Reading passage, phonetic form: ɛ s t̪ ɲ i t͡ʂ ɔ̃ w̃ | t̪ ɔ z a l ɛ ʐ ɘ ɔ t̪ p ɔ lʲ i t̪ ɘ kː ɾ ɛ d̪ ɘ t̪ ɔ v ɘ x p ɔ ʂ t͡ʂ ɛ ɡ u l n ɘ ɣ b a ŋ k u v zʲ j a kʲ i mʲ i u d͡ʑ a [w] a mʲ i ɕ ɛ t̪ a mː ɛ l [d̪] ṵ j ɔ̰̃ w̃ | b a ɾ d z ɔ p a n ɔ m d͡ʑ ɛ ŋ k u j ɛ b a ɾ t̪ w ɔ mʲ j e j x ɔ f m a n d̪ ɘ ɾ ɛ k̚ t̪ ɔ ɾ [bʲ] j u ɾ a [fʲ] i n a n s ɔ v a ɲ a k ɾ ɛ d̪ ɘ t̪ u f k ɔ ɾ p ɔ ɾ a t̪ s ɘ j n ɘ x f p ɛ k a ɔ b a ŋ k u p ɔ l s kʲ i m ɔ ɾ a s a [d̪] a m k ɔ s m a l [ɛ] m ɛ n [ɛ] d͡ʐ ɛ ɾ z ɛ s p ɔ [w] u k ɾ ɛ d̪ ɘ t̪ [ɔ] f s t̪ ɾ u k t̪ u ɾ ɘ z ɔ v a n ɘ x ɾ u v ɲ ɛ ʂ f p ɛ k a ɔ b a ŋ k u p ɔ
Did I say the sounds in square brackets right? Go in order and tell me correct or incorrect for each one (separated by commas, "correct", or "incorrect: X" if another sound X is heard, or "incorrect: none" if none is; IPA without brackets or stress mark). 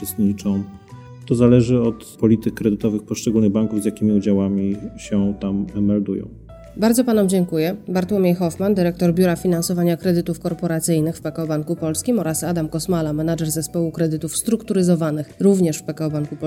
correct, correct, correct, correct, correct, incorrect: a, incorrect: a, correct, incorrect: u